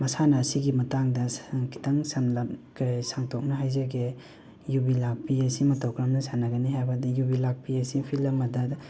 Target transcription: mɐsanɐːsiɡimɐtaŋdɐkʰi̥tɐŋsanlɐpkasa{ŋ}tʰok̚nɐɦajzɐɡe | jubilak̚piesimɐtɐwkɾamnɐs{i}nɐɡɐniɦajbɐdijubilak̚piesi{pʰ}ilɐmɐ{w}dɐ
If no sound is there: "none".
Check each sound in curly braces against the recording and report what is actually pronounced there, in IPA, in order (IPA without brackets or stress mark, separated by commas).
ŋ, a, pʰ, none